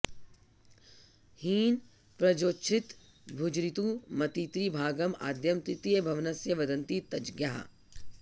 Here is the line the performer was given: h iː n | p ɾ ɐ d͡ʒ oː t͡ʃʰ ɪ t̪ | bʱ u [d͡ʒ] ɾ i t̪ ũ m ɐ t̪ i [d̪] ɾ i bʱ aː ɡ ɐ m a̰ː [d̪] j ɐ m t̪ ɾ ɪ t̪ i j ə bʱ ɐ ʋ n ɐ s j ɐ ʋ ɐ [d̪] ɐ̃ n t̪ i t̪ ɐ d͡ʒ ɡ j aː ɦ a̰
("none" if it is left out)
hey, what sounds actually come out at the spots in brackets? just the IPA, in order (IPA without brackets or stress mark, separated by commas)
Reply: d͡ʒ, t̪, d̪, d̪